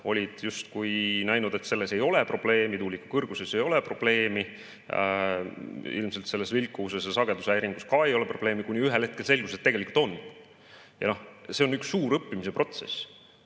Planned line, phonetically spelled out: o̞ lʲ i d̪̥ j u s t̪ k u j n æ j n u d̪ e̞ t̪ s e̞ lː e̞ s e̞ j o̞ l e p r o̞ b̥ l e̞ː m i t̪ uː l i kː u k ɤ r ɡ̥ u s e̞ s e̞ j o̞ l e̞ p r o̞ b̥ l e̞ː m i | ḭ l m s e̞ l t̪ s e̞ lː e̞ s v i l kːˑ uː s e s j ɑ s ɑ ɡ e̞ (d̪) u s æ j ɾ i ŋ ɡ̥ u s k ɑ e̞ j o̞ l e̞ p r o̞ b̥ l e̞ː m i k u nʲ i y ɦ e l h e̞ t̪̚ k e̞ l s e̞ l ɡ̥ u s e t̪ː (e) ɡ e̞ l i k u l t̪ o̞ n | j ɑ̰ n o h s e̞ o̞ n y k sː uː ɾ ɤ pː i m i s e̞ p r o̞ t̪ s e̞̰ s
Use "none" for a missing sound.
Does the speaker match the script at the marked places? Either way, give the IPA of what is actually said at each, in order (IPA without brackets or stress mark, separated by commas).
d̪, e